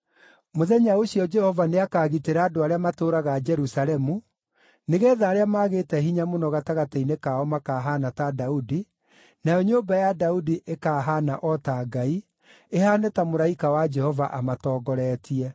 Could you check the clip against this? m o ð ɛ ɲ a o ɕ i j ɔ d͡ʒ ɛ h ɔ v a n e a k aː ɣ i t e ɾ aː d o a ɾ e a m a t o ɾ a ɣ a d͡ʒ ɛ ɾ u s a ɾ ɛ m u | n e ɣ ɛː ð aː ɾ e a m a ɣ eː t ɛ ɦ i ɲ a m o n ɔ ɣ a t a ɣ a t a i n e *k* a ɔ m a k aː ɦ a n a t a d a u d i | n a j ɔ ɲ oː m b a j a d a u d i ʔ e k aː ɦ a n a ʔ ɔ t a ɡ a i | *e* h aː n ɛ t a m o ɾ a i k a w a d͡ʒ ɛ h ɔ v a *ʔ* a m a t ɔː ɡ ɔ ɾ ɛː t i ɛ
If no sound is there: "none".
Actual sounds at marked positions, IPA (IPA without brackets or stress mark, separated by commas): k, e, ʔ